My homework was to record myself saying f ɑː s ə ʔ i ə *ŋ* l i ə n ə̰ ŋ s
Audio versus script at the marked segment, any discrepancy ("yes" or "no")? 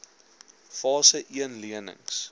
yes